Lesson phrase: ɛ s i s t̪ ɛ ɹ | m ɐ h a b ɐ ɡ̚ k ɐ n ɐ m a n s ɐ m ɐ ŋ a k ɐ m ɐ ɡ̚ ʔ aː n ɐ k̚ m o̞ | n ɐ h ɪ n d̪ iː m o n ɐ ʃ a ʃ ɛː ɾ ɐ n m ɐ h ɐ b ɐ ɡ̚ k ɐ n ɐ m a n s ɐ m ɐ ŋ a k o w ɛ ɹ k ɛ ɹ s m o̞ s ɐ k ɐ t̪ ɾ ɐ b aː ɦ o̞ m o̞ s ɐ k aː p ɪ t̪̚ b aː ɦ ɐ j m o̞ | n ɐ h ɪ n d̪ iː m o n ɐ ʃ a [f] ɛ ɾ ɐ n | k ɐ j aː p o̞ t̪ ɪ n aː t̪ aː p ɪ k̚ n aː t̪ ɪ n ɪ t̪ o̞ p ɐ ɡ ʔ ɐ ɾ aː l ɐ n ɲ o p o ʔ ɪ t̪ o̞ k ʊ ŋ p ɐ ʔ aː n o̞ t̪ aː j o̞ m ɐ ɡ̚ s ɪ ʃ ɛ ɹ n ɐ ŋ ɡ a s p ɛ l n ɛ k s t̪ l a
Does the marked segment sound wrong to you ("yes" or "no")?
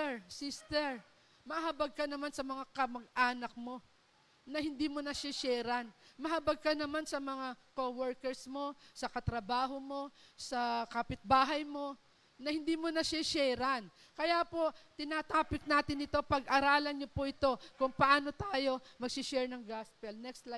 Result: yes